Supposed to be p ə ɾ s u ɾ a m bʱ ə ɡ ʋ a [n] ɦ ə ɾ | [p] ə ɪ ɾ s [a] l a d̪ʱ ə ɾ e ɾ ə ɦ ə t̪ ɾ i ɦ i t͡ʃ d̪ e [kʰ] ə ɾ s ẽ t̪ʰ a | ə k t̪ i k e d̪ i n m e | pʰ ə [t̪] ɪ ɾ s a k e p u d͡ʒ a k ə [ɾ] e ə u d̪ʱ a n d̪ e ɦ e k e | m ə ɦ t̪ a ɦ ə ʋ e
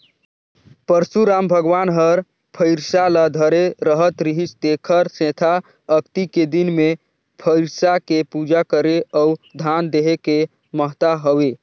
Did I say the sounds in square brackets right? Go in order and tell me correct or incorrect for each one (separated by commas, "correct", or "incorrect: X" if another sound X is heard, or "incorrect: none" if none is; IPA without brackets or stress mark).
correct, incorrect: pʰ, correct, correct, incorrect: none, correct